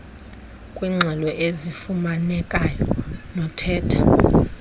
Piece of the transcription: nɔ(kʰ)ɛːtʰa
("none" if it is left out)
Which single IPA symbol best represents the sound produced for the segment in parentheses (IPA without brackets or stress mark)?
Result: tʰ